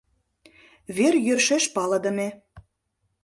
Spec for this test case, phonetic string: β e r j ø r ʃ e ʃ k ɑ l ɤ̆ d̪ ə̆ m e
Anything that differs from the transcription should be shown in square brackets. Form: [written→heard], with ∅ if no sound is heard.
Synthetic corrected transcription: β e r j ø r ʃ e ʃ [k→p] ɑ l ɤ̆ d̪ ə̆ m e